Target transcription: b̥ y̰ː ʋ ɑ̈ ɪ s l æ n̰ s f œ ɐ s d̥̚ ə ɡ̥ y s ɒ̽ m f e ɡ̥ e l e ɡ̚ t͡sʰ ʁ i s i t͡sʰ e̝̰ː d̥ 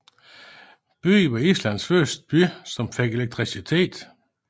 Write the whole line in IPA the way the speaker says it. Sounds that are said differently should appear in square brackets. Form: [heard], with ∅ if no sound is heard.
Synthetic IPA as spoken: b̥ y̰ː ʋ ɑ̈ [i] s l æ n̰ s f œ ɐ s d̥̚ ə [b̥] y s ɒ̽ m f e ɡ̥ e l e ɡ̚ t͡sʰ ʁ i s i t͡sʰ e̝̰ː d̥